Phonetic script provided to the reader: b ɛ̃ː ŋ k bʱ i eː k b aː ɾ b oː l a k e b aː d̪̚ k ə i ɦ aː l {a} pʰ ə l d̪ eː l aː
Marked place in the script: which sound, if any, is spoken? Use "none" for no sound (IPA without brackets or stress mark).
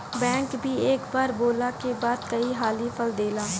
i